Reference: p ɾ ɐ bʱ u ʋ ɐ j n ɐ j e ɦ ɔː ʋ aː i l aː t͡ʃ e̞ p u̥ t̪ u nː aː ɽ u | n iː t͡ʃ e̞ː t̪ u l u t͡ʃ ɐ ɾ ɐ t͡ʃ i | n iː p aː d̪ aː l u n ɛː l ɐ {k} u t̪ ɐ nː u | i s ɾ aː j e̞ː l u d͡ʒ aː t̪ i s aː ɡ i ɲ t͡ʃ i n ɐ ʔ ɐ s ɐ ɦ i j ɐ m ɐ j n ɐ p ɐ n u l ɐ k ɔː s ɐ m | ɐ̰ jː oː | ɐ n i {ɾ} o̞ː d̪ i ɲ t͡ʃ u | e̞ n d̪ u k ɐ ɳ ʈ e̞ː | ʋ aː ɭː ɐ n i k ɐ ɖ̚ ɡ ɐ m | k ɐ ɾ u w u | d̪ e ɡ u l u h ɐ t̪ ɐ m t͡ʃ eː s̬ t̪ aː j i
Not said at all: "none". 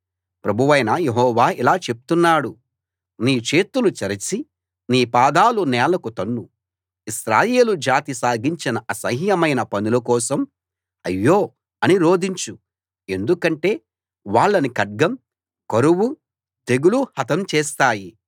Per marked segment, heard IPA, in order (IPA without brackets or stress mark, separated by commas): k, ɾ